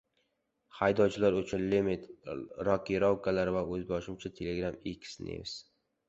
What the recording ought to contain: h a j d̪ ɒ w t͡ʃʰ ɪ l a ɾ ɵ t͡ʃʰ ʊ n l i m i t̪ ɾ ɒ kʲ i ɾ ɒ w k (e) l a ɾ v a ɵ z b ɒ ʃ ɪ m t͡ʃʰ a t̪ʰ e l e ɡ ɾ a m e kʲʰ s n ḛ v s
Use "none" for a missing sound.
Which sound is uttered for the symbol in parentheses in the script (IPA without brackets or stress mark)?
a